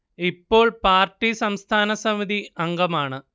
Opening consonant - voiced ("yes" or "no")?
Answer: no